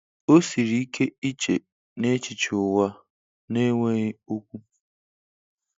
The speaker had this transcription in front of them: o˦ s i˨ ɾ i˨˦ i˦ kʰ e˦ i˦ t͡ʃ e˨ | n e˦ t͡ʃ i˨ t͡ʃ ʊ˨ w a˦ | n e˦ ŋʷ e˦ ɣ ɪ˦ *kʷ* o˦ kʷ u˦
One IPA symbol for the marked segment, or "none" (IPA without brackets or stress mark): none